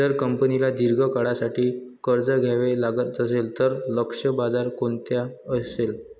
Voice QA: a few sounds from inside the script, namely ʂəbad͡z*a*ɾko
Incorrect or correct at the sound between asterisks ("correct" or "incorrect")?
correct